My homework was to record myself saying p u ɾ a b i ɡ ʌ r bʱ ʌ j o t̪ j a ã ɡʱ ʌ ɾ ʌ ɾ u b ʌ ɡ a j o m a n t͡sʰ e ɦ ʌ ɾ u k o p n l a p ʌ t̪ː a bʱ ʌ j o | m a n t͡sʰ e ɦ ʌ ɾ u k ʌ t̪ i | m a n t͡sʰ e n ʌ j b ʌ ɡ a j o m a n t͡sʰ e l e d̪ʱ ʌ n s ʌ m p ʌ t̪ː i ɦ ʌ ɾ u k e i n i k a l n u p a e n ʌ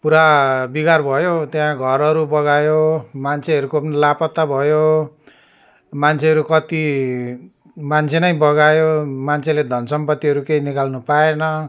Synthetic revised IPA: p u ɾ a b i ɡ a r bʱ ʌ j o t̪ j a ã ɡʱ ʌ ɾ ʌ ɾ u b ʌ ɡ a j o m a n t͡sʰ e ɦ ʌ ɾ u k o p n l a p ʌ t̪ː a bʱ ʌ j o | m a n t͡sʰ e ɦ ʌ ɾ u k ʌ t̪ i | m a n t͡sʰ e n ʌ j b ʌ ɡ a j o m a n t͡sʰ e l e d̪ʱ ʌ n s ʌ m p ʌ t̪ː i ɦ ʌ ɾ u k e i n i k a l n u p a e n ʌ